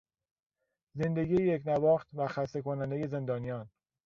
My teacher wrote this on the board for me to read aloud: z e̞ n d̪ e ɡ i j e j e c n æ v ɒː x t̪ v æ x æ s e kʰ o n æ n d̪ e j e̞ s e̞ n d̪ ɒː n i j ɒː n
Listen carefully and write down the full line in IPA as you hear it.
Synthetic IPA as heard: z e̞ n d̪ e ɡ i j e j e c n æ v ɒː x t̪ v æ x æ s e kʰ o n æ n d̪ e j e̞ z e̞ n d̪ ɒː n i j ɒː n